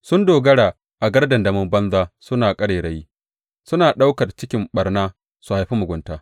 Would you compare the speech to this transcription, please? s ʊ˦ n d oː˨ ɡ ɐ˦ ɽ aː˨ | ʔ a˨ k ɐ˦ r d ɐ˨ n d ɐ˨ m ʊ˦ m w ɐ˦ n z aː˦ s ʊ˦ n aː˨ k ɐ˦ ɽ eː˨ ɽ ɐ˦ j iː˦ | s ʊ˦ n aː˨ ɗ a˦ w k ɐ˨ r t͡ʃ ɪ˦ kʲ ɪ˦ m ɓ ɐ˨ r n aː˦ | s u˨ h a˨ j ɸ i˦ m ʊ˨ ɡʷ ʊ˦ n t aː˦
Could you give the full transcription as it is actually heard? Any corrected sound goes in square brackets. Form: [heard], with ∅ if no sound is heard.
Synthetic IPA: s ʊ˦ n d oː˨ ɡ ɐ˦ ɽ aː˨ | ʔ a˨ [ɡ] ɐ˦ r d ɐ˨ n d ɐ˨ m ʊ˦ m [b] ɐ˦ n z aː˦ s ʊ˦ n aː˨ [kʼ] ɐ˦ ɽ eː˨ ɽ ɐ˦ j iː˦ | s ʊ˦ n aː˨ ɗ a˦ w k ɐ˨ r t͡ʃ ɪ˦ kʲ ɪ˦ m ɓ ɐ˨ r n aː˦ | s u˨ h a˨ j ɸ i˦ m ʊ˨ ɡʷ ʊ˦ n t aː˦